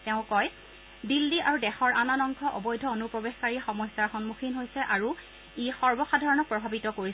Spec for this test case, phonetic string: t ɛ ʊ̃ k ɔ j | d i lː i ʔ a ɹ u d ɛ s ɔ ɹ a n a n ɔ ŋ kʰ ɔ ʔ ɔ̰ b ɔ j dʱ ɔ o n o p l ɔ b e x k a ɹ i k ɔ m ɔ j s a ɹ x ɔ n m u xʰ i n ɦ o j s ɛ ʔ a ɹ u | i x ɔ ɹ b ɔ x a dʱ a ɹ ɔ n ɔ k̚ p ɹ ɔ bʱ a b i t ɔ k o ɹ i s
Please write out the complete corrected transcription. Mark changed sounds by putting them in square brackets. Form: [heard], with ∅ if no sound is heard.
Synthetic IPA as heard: t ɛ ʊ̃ k ɔ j | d i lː i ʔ a ɹ u d ɛ [x] ɔ ɹ a n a n ɔ ŋ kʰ ɔ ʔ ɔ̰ b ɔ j dʱ ɔ o n [u] p [ɹ] ɔ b e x k a ɹ i [x] ɔ m ɔ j s a ɹ x ɔ n m u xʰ i n ɦ o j s ɛ ʔ a ɹ u | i x ɔ ɹ b ɔ x a dʱ a ɹ ɔ n ɔ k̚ p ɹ ɔ bʱ a b i t ɔ k o ɹ i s